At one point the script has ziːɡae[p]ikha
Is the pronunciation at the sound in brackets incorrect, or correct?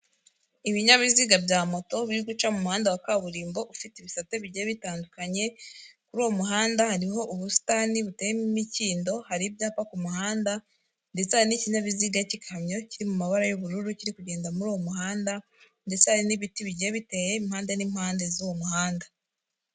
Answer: incorrect